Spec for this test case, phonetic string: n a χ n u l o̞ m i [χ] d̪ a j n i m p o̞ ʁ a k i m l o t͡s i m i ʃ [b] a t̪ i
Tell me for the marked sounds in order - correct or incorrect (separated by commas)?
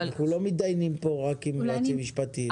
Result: incorrect, incorrect